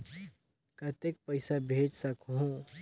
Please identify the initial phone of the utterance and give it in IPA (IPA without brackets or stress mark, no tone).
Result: k